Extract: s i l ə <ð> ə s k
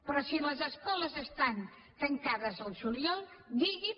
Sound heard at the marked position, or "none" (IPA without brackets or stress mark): z